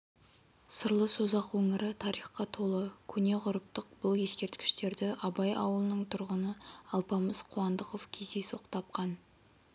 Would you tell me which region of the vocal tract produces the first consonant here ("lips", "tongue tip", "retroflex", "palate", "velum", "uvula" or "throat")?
tongue tip